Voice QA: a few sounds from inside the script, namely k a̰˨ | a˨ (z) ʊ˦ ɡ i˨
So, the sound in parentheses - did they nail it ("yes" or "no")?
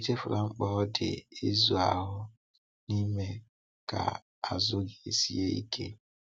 yes